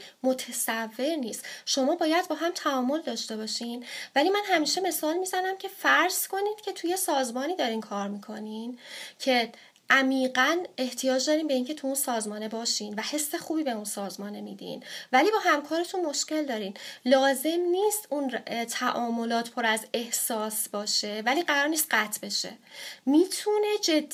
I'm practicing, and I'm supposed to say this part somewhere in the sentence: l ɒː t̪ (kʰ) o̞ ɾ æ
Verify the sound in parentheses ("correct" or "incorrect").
incorrect